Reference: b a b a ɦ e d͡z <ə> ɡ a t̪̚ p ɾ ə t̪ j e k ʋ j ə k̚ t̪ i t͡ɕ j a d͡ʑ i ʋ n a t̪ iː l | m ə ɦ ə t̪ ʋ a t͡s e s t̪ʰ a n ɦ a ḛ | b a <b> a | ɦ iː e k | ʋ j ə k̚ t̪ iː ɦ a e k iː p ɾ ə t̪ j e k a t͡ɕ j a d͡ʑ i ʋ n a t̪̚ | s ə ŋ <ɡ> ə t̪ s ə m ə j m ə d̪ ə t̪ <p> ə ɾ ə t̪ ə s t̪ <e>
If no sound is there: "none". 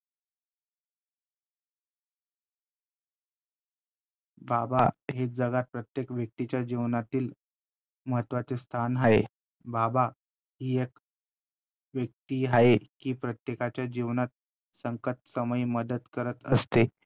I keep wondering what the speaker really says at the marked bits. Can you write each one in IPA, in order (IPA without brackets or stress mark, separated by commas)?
ə, b, k, k, e